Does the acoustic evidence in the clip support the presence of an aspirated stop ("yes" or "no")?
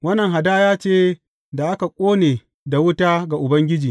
no